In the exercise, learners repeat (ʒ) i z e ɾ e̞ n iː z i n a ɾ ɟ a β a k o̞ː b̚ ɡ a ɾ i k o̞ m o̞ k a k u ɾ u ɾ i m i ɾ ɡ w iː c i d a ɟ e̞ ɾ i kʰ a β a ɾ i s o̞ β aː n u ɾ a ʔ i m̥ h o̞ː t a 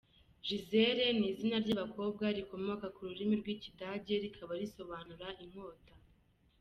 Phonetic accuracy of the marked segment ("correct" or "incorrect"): correct